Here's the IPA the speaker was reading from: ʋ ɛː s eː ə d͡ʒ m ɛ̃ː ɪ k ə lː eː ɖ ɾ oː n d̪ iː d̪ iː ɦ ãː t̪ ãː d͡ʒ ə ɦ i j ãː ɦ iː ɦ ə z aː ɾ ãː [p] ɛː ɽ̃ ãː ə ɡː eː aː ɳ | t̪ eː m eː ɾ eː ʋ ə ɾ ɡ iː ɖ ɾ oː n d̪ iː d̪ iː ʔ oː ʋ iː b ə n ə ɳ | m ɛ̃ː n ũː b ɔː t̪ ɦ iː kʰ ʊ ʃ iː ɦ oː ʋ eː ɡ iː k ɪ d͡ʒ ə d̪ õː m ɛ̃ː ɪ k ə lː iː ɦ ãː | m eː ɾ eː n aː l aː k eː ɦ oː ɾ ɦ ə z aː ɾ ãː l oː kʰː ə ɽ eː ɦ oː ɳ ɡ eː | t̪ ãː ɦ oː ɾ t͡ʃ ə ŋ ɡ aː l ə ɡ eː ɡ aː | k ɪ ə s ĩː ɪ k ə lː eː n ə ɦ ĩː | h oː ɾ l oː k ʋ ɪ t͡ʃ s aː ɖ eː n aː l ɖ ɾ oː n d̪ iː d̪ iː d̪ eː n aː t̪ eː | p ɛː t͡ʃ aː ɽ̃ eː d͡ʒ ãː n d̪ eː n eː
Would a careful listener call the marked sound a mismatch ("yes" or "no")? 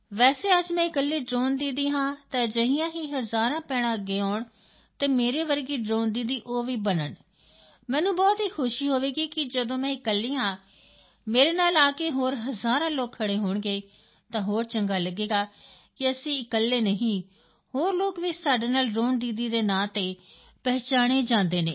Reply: no